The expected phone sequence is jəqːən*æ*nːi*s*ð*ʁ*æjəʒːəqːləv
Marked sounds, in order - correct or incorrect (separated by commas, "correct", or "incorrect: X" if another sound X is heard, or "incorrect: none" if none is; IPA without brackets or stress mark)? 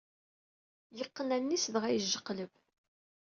correct, correct, correct